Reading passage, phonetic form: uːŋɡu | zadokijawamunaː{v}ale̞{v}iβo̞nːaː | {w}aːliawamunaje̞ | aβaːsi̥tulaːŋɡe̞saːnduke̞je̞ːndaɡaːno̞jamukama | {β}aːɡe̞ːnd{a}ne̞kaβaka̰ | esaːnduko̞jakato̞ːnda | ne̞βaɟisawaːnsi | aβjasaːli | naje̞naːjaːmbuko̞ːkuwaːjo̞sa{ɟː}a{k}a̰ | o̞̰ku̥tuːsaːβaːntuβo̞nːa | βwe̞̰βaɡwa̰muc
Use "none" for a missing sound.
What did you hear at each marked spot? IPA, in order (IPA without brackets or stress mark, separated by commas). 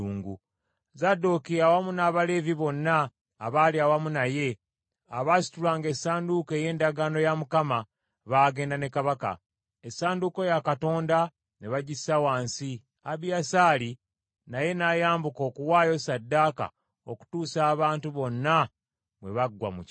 β, v, β, β, a, dː, k